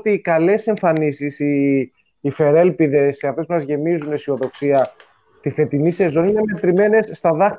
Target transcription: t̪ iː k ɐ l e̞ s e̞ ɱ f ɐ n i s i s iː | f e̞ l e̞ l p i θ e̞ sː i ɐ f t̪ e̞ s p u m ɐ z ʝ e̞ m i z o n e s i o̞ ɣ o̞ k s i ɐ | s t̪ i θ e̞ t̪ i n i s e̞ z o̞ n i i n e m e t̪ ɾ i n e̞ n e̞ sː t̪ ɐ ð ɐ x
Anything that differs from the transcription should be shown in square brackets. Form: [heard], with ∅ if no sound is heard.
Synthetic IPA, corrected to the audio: t̪ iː k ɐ l e̞ s e̞ ɱ f ɐ n i s i s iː | f e̞ [ɾ] e̞ l p i [ð] e̞ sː [e] ɐ f t̪ e̞ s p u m ɐ z ʝ e̞ m i z [u] n e s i o̞ [ð] o̞ k s i ɐ | s t̪ i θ e̞ t̪ i n i s e̞ z o̞ n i i n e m e t̪ ɾ i [m] e̞ n e̞ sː t̪ ɐ ð ɐ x